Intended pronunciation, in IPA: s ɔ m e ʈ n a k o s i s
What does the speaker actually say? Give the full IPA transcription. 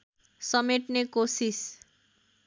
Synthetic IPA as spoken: s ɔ m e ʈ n e k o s i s